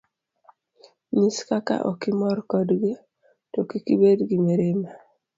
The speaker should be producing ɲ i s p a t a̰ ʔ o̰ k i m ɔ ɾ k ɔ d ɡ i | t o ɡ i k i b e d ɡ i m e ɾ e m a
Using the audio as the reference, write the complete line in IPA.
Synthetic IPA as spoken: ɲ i s k a k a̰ ʔ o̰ k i m ɔ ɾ k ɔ d ɡ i | t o k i k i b e d ɡ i m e ɾ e m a